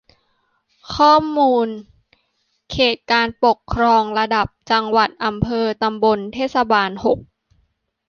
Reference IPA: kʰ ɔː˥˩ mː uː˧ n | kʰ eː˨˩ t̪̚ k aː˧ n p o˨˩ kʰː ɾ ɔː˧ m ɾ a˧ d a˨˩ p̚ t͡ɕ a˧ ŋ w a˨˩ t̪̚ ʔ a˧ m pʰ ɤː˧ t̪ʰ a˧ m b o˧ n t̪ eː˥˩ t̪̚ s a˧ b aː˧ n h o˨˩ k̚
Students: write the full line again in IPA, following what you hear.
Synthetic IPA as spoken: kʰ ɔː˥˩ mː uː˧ n | kʰ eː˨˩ t̪̚ k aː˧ n p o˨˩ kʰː ɾ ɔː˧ ŋ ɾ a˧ d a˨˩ p̚ t͡ɕ a˧ ŋ w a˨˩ t̪̚ ʔ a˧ m pʰ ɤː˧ t̪ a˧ m b o˧ n t̪ʰ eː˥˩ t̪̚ s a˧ b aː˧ n h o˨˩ k̚